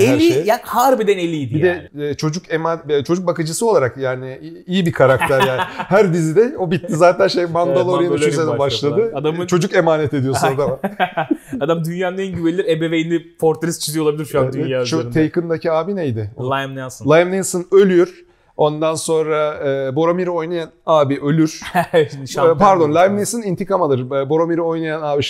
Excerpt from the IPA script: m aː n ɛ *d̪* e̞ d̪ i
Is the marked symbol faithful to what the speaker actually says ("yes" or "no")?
no